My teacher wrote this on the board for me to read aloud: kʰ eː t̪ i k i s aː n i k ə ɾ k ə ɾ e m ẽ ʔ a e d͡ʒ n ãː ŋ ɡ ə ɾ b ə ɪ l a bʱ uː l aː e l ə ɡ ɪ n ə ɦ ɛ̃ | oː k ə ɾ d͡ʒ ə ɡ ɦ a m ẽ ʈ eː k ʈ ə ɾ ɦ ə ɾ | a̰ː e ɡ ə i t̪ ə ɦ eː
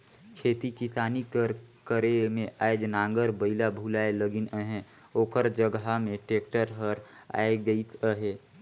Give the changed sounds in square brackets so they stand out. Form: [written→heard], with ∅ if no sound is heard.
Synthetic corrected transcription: kʰ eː t̪ i k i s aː n i k ə ɾ k ə ɾ e m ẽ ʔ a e d͡ʒ n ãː ŋ ɡ ə ɾ b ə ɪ l a bʱ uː l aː e l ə ɡ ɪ n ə ɦ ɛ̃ | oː k ə ɾ d͡ʒ ə ɡ ɦ a m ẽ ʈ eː k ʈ ə ɾ ɦ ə ɾ | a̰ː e ɡ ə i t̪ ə ɦ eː